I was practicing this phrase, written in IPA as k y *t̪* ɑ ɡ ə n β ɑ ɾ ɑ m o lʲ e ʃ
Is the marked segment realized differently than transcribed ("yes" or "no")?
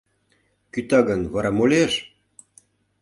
no